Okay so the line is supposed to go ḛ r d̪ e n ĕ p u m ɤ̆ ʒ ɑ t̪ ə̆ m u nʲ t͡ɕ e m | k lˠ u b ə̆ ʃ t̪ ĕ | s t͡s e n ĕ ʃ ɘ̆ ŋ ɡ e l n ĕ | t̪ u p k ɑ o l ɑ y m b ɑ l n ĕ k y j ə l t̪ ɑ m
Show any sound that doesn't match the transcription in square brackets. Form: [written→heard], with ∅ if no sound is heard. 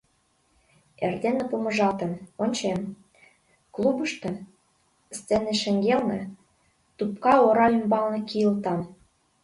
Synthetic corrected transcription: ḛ r d̪ e n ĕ p u m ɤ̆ ʒ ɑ t̪ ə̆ m [u→o] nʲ t͡ɕ e m | k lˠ u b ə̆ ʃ t̪ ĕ | s t͡s e n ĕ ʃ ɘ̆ ŋ ɡ e l n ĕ | t̪ u p k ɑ o [l→ɾ] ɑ y m b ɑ l n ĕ k [y→i] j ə l t̪ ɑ m